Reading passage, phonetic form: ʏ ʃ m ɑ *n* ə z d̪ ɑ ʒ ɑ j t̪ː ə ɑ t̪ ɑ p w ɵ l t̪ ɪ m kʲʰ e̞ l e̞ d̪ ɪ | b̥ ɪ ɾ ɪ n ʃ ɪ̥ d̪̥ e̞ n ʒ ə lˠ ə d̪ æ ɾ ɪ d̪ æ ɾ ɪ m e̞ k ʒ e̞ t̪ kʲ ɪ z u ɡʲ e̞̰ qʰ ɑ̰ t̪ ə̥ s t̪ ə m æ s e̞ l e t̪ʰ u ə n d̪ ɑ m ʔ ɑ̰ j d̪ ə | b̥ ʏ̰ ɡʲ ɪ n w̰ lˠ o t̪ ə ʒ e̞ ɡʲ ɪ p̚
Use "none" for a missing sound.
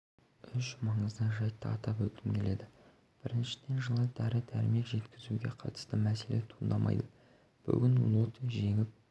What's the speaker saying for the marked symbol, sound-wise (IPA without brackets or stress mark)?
ɴ